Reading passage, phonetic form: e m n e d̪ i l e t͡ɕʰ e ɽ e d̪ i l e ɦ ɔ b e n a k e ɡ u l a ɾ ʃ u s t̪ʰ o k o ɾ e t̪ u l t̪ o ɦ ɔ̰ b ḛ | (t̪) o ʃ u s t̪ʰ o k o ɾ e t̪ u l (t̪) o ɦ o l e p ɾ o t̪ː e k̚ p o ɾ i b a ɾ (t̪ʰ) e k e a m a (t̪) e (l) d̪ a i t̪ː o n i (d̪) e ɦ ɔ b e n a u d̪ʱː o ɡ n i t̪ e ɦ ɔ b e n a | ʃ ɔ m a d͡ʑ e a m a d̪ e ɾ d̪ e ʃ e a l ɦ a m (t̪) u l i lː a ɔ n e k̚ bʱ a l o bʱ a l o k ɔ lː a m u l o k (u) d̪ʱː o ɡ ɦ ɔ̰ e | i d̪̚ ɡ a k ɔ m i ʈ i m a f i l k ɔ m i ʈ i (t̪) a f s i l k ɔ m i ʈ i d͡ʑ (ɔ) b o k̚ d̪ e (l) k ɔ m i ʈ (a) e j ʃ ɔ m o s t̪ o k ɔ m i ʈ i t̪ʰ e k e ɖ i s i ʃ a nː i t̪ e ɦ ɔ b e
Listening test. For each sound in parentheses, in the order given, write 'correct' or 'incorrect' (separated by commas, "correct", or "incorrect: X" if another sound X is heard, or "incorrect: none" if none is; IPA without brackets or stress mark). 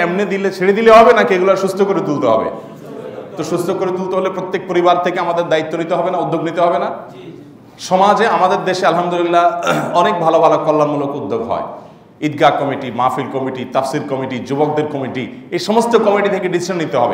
correct, correct, correct, incorrect: d̪, incorrect: ɾ, incorrect: t̪, incorrect: d̪, correct, correct, incorrect: u, incorrect: ɾ, incorrect: i